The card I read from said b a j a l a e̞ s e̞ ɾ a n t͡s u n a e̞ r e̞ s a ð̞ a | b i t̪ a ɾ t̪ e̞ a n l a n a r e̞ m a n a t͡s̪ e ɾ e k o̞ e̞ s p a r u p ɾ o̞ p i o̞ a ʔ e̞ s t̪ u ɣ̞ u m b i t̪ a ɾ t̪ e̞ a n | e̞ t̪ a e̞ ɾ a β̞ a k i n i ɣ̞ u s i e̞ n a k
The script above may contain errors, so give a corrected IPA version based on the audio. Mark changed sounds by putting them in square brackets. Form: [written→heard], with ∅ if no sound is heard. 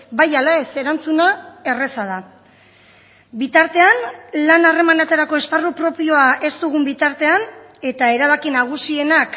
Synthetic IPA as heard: b a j a l a e̞ s e̞ ɾ a n t͡s u n a e̞ r e̞ s a ð̞ a | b i t̪ a ɾ t̪ e̞ a n l a n a r e̞ m a n a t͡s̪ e ɾ [e→a] k o̞ e̞ s p a r u p ɾ o̞ p i o̞ a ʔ e̞ s t̪ u ɣ̞ u m b i t̪ a ɾ t̪ e̞ a n | e̞ t̪ a e̞ ɾ a β̞ a k i n [i→a] ɣ̞ u s i e̞ n a k

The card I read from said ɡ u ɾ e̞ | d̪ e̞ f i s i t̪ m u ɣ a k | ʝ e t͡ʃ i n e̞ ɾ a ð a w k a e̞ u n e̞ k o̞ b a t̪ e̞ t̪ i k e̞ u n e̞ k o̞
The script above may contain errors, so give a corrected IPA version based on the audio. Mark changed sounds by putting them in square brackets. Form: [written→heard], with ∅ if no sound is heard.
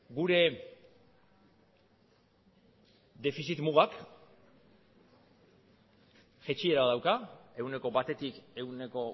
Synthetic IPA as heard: ɡ u ɾ e̞ | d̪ e̞ f i s i t̪ m u ɣ a k | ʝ e t͡ʃ i [n→∅] e̞ ɾ a ð a w k a e̞ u n e̞ k o̞ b a t̪ e̞ t̪ i k e̞ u n e̞ k o̞

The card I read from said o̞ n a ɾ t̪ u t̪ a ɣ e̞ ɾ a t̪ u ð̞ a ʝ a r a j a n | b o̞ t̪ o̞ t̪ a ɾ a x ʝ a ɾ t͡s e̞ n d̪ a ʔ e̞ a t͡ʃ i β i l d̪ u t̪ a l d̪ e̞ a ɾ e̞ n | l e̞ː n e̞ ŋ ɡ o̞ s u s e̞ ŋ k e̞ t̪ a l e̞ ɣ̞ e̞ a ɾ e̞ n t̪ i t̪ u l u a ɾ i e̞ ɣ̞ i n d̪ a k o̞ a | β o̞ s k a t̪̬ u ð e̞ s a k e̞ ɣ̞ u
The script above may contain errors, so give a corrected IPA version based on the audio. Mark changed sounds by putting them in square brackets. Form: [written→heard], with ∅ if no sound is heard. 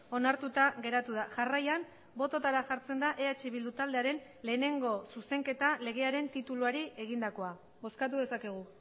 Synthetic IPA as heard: o̞ n a ɾ t̪ u t̪ a ɣ e̞ ɾ a t̪ u ð̞ a ʝ a r a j a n | b o̞ t̪ o̞ t̪ a ɾ a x ʝ a ɾ t͡s e̞ n d̪ a ʔ e̞ a t͡ʃ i β i l d̪ u t̪ a l d̪ e̞ a ɾ e̞ n | l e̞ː n e̞ ŋ ɡ o̞ s u s e̞ ŋ k e̞ t̪ a l e̞ ɣ̞ e̞ a ɾ e̞ n t̪ i t̪ u l u a ɾ i e̞ ɣ̞ i n d̪ a k o̞ a | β o̞ s k a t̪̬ u ð e̞ s a k e̞ ɣ̞ u

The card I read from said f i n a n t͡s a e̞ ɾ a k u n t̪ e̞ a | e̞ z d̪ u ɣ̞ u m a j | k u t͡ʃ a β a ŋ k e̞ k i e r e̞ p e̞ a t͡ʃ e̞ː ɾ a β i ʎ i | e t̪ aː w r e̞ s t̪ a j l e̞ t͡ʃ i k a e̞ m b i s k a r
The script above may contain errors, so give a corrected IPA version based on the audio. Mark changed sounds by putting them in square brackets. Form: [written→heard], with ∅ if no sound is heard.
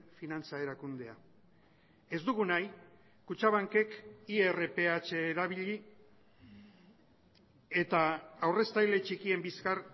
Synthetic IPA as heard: f i n a n t͡s a e̞ ɾ a k u n [t̪→d̪] e̞ a | e̞ z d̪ u ɣ̞ u [m→n] a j | k u t͡ʃ a β a ŋ k e̞ k i e r e̞ p e̞ a t͡ʃ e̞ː ɾ a β i ʎ i | e t̪ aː w r e̞ s t̪ a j l e̞ t͡ʃ i k [a→i] e̞ m b i s k a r

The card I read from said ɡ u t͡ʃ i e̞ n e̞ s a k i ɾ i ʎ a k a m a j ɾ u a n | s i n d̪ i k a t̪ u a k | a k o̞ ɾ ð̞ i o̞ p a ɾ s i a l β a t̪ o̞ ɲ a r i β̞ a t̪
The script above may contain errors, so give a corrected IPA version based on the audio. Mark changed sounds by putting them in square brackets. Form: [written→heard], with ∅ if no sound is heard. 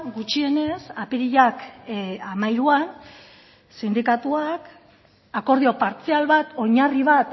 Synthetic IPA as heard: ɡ u t͡ʃ i e̞ n e̞ s a [k→p] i ɾ i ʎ a k a m a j ɾ u a n | s i n d̪ i k a t̪ u a k | a k o̞ ɾ ð̞ i o̞ p a ɾ [s→t͡s] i a l β a t̪ o̞ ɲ a r i β̞ a t̪

